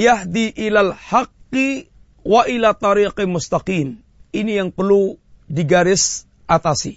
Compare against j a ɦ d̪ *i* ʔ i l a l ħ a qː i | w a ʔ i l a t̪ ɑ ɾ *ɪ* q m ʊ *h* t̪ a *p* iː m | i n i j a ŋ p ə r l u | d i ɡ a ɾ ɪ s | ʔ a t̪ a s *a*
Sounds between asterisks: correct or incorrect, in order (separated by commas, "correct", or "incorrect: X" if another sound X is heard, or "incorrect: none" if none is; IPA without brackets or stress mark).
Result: correct, incorrect: i, incorrect: s, incorrect: q, incorrect: i